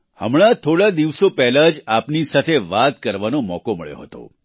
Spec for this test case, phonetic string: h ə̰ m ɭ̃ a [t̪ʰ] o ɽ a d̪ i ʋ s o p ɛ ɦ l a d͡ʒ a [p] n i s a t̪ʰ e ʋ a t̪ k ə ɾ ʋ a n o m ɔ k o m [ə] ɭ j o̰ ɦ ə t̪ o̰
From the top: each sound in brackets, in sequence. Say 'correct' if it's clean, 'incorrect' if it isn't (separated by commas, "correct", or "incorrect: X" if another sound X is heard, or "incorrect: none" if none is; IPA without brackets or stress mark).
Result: correct, correct, correct